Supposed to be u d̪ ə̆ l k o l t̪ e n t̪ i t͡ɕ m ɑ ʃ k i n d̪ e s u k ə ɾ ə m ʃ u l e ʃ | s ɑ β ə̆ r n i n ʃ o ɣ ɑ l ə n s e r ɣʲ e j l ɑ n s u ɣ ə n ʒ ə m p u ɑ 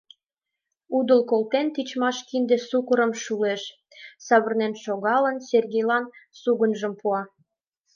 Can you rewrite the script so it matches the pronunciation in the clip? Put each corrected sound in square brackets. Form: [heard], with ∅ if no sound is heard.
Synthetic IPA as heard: u d̪ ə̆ l k o l t̪ e n t̪ i t͡ɕ m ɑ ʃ k i n d̪ e s u k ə ɾ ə m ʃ u l e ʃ | s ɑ β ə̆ r n [e] n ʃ o ɣ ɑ l ə n s e r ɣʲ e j l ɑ n s u ɣ ə n ʒ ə m p u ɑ